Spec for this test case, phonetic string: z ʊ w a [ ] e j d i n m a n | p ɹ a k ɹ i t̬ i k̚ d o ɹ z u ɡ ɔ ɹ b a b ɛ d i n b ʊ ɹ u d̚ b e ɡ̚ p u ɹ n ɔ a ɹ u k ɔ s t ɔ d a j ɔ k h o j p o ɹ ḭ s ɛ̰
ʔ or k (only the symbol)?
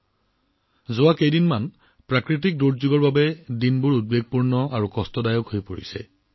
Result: k